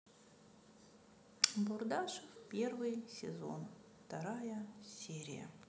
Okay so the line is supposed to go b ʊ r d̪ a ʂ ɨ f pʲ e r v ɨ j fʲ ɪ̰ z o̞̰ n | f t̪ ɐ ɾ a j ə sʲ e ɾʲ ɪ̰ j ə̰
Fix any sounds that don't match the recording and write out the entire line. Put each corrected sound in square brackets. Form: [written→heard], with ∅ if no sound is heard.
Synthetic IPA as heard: b ʊ r d̪ a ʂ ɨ f pʲ e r v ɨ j [fʲ→sʲ] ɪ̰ z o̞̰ n | f t̪ ɐ ɾ a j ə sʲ e ɾʲ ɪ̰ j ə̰